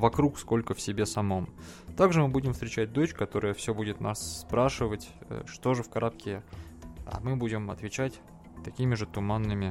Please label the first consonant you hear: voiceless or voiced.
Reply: voiced